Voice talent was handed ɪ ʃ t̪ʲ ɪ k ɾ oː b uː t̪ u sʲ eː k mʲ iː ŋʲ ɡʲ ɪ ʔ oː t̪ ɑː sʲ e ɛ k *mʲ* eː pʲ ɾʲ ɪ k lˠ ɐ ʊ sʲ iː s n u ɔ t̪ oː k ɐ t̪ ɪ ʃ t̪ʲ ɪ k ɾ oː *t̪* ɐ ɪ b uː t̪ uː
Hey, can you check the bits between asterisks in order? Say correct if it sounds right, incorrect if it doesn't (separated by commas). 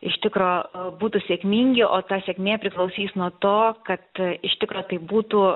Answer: correct, correct